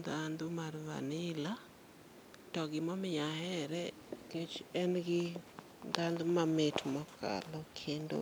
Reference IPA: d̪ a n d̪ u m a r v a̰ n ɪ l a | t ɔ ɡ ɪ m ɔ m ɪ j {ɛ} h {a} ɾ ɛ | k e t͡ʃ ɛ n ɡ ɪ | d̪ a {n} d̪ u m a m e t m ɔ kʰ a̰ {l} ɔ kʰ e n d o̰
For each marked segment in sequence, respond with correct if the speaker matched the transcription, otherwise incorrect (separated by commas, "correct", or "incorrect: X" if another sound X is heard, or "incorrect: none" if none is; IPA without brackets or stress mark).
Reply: incorrect: a, incorrect: ɛ, correct, correct